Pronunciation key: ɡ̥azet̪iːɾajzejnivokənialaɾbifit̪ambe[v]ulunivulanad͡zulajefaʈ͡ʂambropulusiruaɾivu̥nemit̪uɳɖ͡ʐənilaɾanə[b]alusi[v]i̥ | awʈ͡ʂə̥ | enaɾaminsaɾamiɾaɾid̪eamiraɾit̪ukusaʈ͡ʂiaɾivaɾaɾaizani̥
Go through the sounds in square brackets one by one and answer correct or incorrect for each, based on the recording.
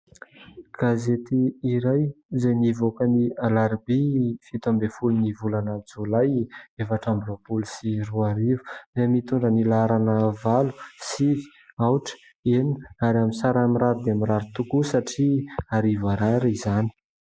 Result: incorrect: f, incorrect: v, correct

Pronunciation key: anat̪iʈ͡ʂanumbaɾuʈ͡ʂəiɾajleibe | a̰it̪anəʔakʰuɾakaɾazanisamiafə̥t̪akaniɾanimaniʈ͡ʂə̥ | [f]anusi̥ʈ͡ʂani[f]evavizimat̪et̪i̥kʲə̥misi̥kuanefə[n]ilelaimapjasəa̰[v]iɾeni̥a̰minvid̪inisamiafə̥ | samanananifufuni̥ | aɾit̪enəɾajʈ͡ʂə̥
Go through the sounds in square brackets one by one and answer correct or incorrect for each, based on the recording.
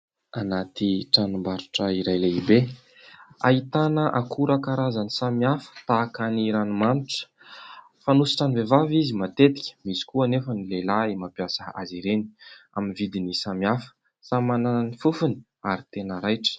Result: correct, incorrect: v, correct, incorrect: z

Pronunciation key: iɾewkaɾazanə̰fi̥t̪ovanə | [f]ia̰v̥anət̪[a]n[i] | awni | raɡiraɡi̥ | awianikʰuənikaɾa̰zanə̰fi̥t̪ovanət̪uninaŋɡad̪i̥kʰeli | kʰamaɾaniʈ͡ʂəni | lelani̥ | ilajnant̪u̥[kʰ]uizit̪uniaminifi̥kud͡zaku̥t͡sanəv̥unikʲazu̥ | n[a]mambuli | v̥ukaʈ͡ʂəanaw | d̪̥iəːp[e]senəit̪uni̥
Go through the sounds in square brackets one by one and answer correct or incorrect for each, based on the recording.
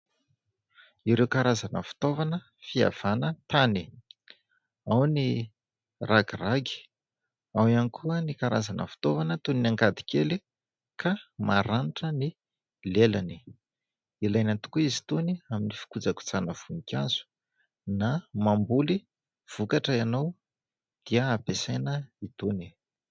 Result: correct, correct, correct, incorrect: k, correct, correct

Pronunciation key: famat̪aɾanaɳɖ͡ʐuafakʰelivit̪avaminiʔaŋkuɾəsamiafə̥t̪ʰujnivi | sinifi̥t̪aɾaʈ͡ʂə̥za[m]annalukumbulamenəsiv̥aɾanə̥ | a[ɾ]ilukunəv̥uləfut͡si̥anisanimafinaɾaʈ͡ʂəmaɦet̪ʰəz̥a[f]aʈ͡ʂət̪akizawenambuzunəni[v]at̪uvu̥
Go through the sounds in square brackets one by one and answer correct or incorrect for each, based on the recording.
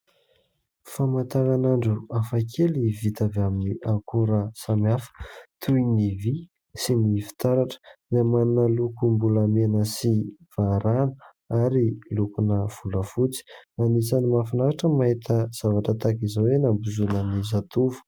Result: correct, correct, incorrect: v, incorrect: z

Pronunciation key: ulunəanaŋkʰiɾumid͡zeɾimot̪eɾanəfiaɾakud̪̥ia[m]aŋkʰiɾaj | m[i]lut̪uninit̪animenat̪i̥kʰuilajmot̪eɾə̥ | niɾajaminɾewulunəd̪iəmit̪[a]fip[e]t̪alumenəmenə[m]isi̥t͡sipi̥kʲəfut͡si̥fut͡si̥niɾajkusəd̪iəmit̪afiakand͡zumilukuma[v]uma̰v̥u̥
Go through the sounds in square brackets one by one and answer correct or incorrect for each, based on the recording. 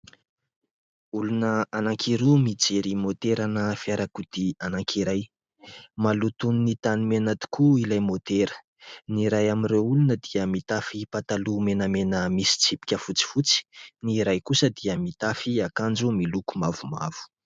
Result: incorrect: n, incorrect: a, correct, incorrect: a, correct, correct

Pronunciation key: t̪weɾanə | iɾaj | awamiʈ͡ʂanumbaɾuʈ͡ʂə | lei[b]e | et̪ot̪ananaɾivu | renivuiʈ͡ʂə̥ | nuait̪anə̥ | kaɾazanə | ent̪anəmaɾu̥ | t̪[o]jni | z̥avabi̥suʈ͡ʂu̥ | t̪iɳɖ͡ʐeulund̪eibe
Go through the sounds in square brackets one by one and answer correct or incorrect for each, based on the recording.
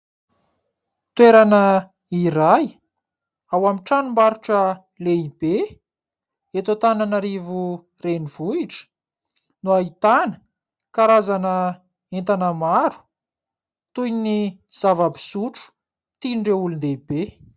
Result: correct, incorrect: u

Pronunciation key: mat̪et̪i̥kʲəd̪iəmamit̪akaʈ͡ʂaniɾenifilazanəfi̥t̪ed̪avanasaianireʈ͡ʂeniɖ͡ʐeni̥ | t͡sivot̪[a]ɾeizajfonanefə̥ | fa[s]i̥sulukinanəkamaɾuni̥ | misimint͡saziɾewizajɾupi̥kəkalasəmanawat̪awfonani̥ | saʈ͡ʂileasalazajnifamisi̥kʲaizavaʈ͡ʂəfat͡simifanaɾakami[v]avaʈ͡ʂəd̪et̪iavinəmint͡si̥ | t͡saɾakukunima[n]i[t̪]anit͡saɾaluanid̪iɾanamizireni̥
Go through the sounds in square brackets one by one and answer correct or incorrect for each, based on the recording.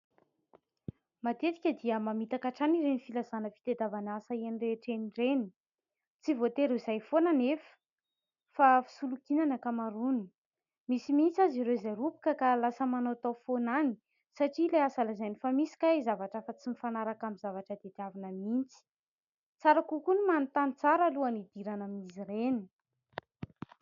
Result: incorrect: e, incorrect: f, incorrect: z, correct, correct

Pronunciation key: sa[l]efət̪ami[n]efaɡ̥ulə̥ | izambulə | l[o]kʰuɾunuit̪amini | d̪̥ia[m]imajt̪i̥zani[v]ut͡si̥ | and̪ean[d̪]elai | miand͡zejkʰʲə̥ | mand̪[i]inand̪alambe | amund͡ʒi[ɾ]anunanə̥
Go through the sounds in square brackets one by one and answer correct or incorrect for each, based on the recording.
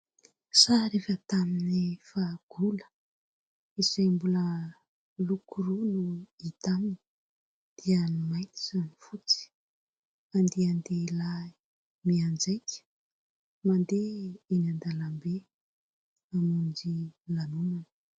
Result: incorrect: ɾ, correct, incorrect: u, incorrect: n, incorrect: f, correct, incorrect: e, incorrect: l

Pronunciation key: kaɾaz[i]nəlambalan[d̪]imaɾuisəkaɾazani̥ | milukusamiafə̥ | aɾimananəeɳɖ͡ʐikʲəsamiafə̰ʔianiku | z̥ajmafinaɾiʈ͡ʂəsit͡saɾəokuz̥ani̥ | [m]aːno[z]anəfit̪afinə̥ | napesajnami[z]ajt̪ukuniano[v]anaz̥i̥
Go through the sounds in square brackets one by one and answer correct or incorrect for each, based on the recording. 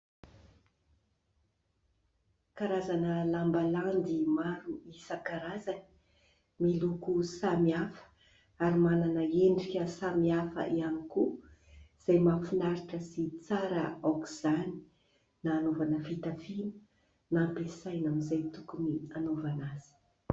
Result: incorrect: a, correct, incorrect: n, incorrect: v, correct, correct

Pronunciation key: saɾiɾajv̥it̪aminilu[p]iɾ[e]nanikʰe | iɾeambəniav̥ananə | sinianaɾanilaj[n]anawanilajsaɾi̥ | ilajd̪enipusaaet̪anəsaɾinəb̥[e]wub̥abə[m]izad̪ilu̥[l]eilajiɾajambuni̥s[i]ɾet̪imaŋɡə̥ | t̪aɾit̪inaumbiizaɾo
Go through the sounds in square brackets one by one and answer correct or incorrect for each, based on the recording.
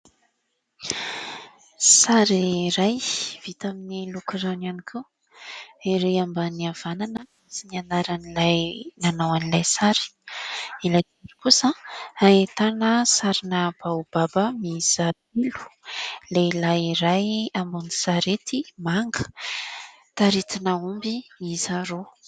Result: incorrect: k, incorrect: a, correct, incorrect: a, correct, correct, incorrect: a

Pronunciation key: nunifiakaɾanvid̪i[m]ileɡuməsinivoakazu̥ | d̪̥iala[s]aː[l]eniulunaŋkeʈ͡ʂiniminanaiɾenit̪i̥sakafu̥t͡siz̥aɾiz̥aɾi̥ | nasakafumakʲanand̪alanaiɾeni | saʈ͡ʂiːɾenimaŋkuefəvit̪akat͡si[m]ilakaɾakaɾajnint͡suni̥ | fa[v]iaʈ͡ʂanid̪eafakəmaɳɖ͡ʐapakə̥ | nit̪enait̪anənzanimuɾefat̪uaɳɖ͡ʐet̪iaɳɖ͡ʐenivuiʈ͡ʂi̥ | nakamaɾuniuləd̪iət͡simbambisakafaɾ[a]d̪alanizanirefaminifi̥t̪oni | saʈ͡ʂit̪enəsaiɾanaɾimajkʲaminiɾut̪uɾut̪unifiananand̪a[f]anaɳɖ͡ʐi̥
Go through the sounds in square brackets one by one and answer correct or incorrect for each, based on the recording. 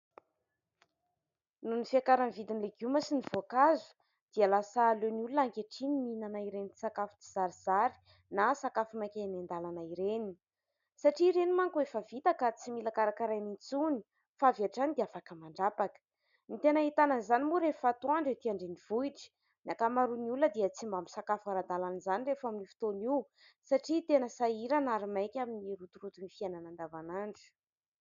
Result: incorrect: n, correct, correct, correct, correct, correct, incorrect: v

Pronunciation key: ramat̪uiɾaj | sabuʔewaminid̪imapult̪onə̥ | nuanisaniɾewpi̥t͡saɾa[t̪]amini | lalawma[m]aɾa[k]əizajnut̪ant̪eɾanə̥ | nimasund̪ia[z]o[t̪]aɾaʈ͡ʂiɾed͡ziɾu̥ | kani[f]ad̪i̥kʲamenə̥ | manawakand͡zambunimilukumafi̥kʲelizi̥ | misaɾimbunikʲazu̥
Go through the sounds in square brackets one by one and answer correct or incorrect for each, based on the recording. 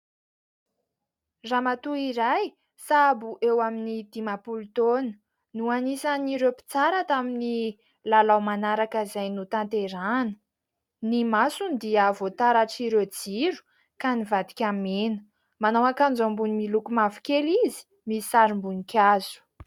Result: correct, incorrect: n, correct, incorrect: v, correct, incorrect: v

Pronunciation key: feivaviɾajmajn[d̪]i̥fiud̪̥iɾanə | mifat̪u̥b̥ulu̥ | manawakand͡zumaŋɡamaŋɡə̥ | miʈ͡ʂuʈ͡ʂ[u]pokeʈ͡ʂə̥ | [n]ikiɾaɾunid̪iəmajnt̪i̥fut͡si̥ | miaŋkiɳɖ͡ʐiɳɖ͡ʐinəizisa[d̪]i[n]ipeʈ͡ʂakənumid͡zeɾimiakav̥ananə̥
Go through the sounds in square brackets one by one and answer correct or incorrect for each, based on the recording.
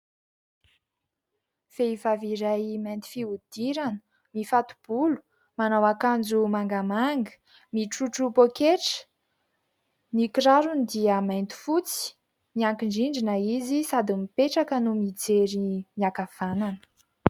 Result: incorrect: t̪, correct, correct, correct, incorrect: m

